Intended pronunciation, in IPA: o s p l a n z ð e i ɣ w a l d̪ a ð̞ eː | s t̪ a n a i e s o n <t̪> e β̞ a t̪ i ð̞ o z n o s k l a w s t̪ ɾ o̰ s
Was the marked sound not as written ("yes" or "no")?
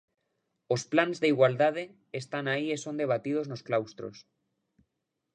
yes